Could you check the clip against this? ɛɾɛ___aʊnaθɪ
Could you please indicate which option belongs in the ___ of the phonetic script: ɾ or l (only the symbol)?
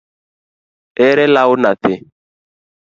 l